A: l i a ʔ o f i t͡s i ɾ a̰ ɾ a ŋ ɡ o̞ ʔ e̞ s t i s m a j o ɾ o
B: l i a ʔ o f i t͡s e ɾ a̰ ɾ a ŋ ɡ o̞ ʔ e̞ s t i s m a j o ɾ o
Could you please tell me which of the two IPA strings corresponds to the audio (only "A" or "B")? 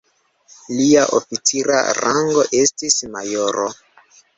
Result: A